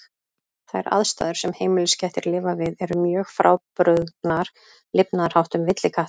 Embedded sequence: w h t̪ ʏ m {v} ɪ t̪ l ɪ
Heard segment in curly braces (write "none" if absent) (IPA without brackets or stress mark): v